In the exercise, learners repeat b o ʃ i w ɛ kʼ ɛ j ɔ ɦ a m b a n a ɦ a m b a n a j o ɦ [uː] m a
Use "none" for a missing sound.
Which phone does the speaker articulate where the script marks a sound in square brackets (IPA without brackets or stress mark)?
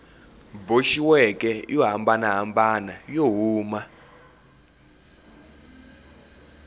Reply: uː